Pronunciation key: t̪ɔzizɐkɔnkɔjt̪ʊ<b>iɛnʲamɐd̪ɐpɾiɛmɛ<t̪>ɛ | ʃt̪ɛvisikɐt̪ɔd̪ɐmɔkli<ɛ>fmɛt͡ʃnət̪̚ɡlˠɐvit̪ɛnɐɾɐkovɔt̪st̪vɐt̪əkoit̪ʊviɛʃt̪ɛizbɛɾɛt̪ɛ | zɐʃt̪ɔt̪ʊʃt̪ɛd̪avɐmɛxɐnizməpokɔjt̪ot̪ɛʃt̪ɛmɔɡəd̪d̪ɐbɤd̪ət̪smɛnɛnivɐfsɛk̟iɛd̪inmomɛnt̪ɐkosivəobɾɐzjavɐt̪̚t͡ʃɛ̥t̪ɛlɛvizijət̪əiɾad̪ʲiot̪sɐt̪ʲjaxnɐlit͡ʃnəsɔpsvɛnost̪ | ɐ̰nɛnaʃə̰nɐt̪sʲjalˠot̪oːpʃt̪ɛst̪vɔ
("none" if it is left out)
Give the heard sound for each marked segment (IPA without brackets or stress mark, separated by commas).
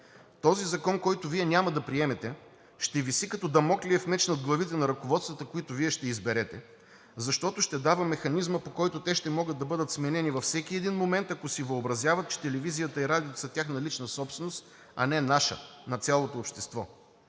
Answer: v, t̪, ɛ